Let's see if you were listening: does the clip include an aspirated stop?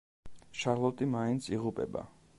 no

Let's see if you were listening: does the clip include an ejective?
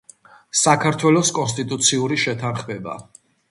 yes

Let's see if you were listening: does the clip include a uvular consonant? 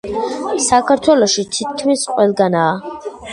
yes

